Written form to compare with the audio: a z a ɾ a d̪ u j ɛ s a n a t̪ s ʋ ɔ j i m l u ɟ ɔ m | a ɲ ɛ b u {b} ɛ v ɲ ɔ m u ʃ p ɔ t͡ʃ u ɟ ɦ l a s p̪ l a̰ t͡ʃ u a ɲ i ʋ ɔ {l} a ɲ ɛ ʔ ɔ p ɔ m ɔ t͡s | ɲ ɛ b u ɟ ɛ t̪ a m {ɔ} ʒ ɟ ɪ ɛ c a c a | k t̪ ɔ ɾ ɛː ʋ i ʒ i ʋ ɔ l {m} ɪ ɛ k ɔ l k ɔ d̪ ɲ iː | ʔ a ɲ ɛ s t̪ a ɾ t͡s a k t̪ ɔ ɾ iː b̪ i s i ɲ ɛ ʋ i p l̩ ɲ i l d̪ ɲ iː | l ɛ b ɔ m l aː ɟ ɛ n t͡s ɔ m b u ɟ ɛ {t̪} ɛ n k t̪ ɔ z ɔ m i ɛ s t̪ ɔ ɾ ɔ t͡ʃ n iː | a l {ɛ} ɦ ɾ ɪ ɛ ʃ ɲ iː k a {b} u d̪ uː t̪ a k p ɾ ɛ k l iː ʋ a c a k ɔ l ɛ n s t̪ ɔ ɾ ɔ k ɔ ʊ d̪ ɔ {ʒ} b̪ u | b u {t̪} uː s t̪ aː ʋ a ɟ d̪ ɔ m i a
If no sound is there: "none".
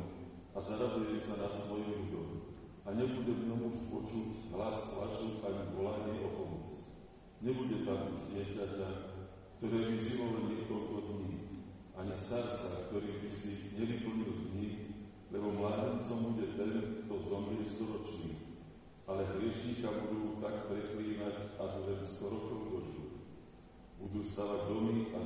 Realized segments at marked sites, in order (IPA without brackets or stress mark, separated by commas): ɟ, l, u, ɲ, t̪, ɛ, b, ʒ, d̪